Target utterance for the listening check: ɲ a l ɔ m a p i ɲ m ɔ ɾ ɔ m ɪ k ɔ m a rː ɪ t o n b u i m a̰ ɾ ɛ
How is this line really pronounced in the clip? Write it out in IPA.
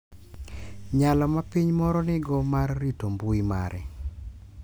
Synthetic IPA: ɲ a l ɔ m a p i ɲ m ɔ ɾ ɔ n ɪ ɡ ɔ m a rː i t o m b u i m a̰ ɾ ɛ